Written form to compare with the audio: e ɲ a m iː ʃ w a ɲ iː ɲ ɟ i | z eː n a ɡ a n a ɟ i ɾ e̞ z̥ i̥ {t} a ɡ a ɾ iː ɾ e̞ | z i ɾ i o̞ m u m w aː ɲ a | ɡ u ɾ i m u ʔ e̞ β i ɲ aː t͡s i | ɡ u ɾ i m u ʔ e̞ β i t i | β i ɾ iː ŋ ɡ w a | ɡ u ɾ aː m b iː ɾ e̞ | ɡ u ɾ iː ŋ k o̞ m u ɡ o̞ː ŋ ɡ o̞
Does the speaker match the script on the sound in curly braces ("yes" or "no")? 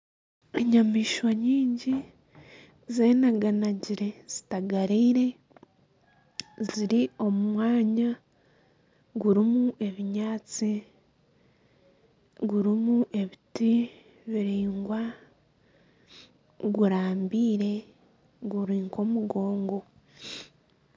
yes